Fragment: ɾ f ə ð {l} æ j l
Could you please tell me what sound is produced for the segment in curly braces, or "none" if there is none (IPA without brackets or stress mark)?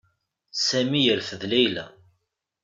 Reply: l